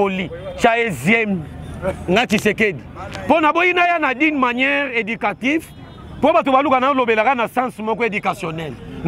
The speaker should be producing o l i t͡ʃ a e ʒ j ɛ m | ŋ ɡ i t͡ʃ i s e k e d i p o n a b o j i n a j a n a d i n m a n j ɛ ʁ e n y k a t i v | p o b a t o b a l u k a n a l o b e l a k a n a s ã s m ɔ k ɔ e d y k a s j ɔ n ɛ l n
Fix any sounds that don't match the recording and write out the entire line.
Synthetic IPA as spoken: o l i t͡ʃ a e z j ɛ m | ŋ ɡ a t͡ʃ i s e k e d i p o n a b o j i n a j a n a d i n m a n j ɛ ʁ e d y k a t i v | p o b a t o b a l u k a n a l o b e l a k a n a s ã s m ɔ k ɔ e d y k a s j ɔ n ɛ l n